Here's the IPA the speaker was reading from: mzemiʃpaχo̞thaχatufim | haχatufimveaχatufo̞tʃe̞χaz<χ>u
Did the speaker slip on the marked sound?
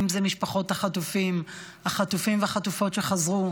yes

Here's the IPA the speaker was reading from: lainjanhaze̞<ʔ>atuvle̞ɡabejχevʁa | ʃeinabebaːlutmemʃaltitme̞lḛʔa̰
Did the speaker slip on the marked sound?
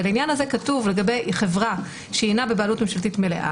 yes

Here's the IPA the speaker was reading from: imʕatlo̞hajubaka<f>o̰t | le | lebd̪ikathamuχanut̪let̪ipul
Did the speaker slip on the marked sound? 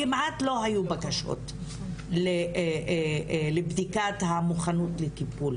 yes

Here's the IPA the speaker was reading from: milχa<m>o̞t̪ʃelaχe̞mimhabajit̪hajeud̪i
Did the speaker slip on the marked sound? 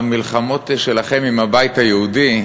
no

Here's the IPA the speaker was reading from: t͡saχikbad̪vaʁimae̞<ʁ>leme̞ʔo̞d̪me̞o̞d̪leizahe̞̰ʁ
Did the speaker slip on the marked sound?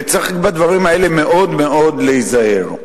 yes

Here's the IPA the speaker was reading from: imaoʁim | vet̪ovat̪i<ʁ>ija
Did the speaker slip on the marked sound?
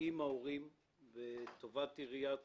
no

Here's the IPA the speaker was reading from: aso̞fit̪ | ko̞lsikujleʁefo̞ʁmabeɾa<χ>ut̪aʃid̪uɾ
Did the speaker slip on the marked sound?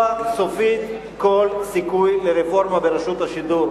yes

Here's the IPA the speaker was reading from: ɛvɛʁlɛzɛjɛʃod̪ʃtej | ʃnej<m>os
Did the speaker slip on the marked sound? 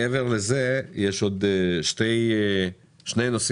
yes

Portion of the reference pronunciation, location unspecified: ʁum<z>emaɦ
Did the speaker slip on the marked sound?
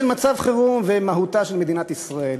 yes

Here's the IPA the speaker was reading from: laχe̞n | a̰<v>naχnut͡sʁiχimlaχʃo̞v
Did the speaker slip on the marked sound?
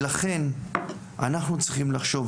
yes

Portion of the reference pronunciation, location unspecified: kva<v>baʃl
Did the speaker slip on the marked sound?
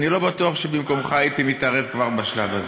yes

